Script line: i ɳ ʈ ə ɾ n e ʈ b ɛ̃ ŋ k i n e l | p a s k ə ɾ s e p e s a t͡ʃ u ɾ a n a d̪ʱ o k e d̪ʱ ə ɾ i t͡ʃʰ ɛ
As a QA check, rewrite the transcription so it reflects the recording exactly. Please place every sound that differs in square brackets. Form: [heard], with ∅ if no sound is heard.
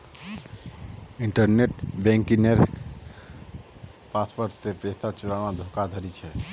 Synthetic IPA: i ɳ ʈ ə ɾ n e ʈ b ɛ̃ ŋ k i n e [ɾ] | p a s [p] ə ɾ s e p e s a t͡ʃ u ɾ a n a d̪ʱ o k [a] d̪ʱ ə ɾ i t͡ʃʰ ɛ